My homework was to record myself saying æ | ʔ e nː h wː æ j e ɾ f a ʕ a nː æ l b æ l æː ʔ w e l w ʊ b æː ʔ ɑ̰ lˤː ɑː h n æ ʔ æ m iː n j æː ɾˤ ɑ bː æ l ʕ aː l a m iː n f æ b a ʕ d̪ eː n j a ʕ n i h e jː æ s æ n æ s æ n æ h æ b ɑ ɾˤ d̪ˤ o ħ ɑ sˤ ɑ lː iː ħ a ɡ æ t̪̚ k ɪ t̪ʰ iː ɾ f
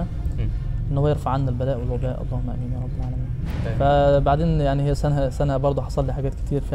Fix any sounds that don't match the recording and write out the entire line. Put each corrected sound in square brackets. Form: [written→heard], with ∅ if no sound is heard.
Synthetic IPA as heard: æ | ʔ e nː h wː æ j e ɾ f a ʕ a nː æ l b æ l æː ʔ w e l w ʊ b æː ʔ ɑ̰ lˤː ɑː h [n→m] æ ʔ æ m iː n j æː ɾˤ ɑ bː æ l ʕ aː l [a→æ] m iː n f æ b a ʕ d̪ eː n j a ʕ n i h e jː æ s æ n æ s æ n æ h æ b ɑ ɾˤ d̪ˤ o ħ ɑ sˤ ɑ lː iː ħ a ɡ [æ→æː] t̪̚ k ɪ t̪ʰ iː ɾ f